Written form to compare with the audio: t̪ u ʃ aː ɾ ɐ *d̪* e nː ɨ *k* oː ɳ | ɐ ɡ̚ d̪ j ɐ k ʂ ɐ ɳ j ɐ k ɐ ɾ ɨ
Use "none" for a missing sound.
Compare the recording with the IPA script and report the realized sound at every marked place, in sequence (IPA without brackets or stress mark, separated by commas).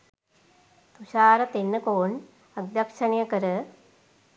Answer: t̪, k